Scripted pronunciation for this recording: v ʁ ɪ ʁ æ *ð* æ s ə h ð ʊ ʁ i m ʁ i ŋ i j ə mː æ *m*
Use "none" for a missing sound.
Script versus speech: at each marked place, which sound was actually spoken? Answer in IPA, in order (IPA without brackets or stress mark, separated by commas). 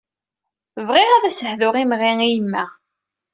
ð, none